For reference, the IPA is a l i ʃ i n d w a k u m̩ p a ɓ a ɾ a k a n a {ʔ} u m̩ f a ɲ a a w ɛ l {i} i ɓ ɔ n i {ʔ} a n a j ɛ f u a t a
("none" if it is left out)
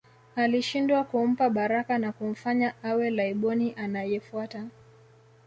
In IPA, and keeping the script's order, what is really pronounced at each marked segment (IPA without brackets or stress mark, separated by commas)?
k, a, ʔ